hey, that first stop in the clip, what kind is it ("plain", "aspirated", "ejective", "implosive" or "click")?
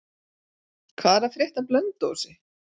aspirated